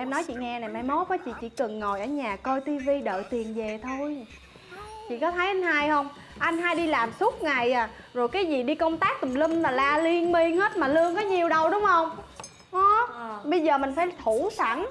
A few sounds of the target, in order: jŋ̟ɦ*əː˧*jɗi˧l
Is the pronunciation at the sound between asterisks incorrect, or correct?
incorrect